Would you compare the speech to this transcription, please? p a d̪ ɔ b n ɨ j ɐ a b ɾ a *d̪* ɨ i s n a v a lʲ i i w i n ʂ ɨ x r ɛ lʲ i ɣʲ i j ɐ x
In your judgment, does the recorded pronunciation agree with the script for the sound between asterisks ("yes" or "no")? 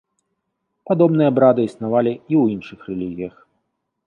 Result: yes